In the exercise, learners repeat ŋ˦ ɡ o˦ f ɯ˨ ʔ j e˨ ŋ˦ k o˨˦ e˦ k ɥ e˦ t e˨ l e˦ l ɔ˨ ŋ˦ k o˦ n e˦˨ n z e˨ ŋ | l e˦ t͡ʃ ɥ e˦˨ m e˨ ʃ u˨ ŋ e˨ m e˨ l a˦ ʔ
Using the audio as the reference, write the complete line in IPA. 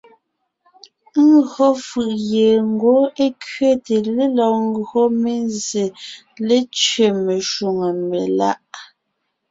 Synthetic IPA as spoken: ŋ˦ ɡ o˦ f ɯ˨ ʔ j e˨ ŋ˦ ɡ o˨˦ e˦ k ɥ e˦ t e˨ l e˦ l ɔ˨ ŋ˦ ɡ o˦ m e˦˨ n z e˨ | l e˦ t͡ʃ ɥ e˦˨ m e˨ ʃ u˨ ŋ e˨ m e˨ l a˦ ʔ